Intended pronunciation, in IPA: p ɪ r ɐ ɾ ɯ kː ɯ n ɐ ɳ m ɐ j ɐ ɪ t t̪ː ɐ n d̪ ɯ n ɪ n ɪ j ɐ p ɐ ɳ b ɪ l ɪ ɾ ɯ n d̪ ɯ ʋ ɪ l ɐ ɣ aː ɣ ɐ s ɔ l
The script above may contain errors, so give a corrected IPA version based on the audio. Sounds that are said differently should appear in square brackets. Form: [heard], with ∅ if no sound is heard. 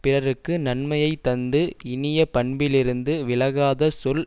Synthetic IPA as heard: p ɪ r ɐ ɾ ɯ kː ɯ n ɐ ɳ m ɐ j ɐ ɪ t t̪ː ɐ n d̪ ɯ [∅] ɪ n ɪ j ɐ p ɐ ɳ b ɪ l ɪ ɾ ɯ n d̪ ɯ ʋ ɪ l ɐ ɣ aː [ð] ɐ s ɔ l